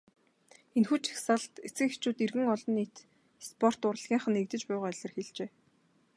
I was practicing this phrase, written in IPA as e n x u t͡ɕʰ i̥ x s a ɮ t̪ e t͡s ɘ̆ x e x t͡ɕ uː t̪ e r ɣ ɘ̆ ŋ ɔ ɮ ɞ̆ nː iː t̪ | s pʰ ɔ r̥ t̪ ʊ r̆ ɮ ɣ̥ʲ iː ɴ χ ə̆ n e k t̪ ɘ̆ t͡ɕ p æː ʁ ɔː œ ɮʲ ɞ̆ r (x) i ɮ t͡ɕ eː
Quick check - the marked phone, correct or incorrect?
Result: correct